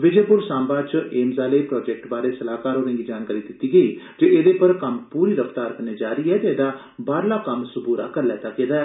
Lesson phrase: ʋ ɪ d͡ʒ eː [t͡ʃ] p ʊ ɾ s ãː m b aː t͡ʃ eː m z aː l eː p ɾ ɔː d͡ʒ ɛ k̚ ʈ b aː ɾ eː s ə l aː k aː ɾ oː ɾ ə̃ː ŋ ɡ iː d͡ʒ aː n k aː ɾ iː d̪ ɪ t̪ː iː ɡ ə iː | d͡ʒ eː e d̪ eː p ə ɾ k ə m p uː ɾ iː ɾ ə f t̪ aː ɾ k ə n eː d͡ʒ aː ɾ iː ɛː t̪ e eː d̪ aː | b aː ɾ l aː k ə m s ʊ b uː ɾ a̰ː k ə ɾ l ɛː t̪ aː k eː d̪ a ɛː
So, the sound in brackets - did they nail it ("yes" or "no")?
no